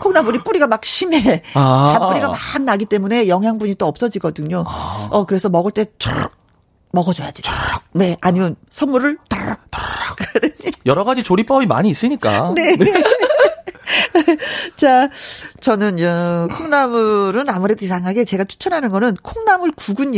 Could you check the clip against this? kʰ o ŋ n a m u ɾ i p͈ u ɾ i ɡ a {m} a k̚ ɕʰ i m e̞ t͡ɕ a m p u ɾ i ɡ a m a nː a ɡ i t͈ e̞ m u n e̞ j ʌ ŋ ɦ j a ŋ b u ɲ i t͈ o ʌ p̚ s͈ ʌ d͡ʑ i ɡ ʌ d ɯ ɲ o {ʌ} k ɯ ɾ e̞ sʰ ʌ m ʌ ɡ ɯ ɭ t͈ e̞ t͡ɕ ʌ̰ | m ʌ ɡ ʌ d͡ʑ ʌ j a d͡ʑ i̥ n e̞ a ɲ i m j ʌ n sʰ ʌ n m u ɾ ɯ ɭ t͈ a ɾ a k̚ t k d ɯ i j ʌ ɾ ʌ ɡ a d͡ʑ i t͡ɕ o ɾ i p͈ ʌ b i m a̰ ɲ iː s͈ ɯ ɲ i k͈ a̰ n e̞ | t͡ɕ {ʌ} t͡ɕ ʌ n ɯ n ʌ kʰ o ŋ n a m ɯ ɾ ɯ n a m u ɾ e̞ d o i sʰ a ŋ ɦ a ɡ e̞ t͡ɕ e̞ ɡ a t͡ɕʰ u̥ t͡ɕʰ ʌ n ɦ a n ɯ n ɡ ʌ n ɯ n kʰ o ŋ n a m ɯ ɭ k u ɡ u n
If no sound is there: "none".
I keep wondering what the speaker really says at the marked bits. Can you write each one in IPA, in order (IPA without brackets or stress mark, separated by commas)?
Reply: m, ʌ, a